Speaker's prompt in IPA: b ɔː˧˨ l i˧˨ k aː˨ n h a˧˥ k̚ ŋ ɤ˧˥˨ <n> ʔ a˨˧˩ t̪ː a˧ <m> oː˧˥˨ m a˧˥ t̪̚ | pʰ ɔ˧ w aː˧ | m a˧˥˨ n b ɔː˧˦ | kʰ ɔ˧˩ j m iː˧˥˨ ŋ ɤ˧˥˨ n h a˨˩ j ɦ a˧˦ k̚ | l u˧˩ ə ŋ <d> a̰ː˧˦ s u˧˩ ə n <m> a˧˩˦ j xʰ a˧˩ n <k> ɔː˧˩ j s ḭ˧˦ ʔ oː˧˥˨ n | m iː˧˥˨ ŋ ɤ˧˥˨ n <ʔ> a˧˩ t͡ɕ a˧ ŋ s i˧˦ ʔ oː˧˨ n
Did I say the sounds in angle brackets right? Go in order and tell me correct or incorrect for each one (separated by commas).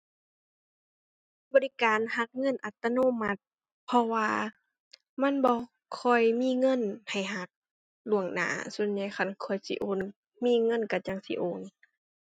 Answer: correct, incorrect, incorrect, incorrect, incorrect, incorrect